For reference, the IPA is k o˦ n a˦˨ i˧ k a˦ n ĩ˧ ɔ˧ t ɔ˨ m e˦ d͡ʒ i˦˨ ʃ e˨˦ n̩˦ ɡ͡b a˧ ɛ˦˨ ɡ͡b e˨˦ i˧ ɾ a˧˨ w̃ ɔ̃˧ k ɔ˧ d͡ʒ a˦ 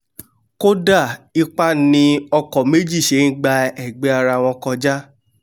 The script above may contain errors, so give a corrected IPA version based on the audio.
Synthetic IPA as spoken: k o˦ d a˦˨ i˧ k͡p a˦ n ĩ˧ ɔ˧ k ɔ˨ m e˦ d͡ʒ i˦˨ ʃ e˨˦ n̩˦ ɡ͡b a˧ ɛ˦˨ ɡ͡b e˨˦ a˧ ɾ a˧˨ w̃ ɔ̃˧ k ɔ˧ d͡ʒ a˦